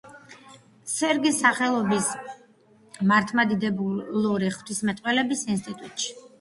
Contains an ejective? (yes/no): yes